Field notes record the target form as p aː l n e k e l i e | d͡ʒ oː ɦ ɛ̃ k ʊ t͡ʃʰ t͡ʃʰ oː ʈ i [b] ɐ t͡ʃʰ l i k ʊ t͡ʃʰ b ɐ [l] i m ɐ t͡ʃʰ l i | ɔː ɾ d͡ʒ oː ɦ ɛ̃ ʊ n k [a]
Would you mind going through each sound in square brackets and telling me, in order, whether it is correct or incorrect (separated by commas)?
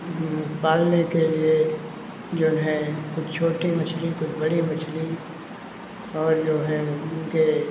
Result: incorrect, incorrect, incorrect